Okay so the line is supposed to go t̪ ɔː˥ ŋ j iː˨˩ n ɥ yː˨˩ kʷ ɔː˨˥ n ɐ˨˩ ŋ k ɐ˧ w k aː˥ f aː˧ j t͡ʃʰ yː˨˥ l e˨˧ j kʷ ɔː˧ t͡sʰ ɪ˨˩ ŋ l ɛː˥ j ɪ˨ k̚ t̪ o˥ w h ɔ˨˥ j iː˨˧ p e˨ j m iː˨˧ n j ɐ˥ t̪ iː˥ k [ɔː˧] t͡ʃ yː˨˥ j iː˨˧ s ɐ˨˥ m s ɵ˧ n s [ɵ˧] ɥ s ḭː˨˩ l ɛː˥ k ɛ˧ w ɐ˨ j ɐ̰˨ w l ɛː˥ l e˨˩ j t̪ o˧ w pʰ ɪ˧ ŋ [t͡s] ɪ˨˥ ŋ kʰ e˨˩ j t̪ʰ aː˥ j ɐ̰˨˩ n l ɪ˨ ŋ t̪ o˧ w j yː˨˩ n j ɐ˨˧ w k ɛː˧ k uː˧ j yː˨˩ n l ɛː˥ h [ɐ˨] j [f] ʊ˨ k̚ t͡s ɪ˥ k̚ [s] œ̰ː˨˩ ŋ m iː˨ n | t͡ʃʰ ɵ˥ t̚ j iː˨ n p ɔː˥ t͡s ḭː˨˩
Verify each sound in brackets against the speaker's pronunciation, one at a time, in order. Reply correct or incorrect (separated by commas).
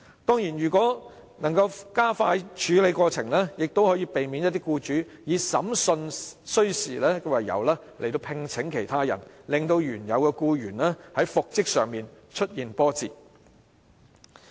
incorrect, incorrect, incorrect, incorrect, correct, correct